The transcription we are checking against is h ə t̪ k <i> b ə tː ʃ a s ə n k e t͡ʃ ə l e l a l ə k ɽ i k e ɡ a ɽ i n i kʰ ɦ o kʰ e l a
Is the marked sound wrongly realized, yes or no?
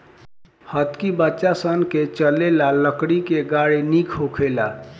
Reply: no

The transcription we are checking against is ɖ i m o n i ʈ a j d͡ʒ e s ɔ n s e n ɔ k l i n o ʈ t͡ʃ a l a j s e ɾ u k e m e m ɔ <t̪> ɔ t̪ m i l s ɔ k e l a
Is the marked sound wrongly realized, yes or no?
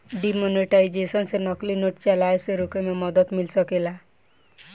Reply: yes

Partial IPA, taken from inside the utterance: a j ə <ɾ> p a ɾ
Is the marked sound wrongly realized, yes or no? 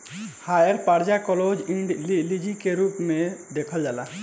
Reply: no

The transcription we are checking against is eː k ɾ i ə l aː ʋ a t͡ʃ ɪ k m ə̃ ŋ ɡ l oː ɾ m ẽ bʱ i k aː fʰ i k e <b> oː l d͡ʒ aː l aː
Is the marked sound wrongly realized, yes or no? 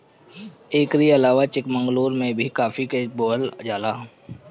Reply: no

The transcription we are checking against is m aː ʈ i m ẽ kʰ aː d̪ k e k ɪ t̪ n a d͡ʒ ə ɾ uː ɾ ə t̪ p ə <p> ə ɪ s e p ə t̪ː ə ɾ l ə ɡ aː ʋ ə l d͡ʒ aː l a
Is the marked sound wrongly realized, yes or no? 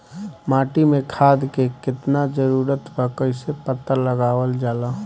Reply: yes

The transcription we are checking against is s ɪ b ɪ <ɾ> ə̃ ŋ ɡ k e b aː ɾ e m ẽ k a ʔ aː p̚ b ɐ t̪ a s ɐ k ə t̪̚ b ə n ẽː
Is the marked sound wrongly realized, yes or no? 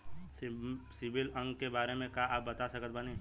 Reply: yes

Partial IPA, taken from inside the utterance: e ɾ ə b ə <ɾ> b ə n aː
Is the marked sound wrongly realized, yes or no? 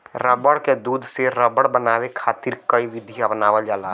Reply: yes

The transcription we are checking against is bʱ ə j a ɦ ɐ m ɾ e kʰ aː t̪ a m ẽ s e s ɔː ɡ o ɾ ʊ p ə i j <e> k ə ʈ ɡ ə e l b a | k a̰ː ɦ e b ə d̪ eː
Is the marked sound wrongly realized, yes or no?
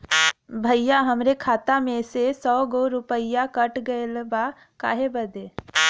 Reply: yes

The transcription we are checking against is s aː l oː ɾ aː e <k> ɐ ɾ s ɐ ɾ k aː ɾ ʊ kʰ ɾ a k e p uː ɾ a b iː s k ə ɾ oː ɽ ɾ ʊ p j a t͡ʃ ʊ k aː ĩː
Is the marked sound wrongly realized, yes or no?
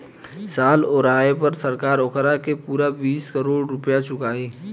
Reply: yes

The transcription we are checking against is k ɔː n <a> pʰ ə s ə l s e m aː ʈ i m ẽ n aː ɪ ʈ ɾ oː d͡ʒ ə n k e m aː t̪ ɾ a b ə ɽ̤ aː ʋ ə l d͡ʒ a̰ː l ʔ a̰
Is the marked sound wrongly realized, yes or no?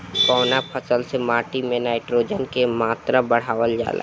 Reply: no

